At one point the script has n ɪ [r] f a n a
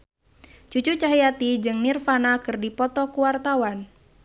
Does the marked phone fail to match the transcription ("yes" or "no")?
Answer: no